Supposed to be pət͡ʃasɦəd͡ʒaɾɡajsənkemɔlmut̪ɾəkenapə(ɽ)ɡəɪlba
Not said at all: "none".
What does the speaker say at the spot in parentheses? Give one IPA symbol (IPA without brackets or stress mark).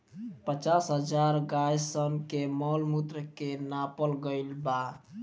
l